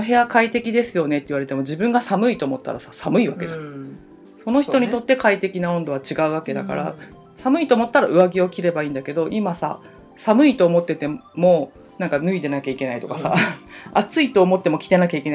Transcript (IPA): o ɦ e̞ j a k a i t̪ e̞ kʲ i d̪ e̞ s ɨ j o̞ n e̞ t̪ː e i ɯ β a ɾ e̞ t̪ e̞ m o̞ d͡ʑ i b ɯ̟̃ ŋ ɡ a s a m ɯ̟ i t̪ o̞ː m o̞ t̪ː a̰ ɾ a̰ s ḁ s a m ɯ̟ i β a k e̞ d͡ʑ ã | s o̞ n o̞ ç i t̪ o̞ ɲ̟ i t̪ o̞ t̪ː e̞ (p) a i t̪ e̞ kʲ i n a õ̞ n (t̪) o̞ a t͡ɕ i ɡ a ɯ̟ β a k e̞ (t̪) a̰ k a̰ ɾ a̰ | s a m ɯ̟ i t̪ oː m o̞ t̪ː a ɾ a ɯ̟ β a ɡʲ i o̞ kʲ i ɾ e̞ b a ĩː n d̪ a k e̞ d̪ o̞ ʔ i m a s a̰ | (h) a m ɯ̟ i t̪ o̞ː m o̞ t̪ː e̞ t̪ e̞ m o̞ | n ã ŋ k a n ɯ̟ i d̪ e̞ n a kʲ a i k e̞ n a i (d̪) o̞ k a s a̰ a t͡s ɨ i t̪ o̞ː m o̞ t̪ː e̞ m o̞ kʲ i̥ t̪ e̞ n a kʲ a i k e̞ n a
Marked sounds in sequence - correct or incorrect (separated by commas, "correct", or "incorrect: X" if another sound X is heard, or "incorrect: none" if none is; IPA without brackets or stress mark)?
incorrect: k, incorrect: d̪, incorrect: d̪, incorrect: s, incorrect: t̪